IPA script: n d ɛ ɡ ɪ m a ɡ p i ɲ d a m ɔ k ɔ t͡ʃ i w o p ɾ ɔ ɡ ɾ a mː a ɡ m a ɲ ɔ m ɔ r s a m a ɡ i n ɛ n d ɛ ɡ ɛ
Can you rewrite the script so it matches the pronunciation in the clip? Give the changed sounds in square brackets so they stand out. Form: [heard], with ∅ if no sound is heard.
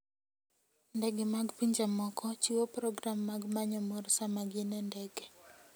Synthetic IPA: n d ɛ ɡ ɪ m a ɡ p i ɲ [d͡ʒ] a m ɔ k ɔ t͡ʃ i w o p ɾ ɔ ɡ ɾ a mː a ɡ m a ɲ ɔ m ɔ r s a m a ɡ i n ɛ n d ɛ ɡ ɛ